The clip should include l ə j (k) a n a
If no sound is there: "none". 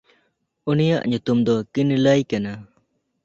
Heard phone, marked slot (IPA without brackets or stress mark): k